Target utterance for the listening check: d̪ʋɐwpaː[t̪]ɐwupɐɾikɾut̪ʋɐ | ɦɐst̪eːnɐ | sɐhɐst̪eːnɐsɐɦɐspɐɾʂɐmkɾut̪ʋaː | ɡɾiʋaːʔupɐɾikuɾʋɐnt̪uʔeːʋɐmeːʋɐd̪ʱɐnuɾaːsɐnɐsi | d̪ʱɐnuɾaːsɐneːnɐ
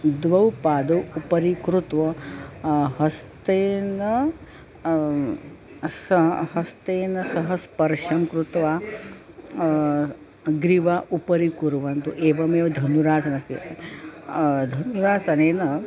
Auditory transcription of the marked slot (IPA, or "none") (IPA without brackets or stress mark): d̪